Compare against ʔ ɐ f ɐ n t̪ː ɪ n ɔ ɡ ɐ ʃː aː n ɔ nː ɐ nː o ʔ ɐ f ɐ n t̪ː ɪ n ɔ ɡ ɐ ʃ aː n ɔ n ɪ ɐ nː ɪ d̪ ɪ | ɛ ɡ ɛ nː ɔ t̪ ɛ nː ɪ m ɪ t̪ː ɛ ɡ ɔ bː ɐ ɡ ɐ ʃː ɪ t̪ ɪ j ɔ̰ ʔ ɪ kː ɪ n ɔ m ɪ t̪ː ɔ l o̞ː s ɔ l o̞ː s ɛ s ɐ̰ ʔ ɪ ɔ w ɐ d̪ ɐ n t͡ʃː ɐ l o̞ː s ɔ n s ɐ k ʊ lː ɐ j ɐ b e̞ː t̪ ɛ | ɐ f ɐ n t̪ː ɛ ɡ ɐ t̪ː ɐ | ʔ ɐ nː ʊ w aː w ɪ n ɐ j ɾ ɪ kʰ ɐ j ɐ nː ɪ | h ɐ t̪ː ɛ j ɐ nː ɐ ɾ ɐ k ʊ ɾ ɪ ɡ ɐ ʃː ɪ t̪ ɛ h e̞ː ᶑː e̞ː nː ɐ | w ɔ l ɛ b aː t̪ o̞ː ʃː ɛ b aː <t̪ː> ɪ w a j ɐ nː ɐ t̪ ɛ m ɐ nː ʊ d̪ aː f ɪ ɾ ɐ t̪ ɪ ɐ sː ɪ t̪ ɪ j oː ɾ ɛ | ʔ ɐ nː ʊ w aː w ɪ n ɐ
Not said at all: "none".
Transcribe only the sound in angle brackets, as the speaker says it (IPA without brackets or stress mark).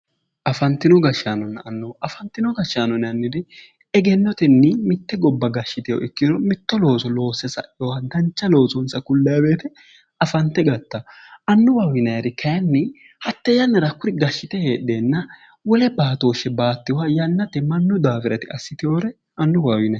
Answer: t̪ː